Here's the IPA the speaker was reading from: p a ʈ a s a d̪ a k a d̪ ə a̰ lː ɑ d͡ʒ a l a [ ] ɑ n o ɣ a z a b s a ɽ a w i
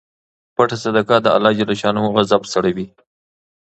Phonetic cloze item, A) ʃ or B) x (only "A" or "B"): A